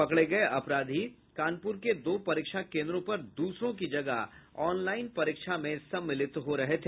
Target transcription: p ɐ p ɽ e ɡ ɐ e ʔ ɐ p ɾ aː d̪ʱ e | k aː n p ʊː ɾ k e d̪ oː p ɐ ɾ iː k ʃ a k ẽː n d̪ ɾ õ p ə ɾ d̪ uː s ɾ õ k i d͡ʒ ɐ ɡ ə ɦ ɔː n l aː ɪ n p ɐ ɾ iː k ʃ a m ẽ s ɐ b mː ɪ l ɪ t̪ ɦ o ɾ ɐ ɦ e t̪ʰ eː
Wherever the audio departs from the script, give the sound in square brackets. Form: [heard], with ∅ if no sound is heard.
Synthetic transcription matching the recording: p ɐ [k] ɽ e ɡ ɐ e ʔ ɐ p ɾ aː d̪ʱ [i] | k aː n p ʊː ɾ k e d̪ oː p ɐ ɾ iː k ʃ a k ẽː n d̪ ɾ õ p [ɐ] ɾ d̪ uː s ɾ õ k i d͡ʒ ɐ ɡ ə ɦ ɔː n l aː ɪ n p ɐ ɾ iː k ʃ a m ẽ s ɐ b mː ɪ l ɪ t̪ ɦ o ɾ ɐ ɦ e t̪ʰ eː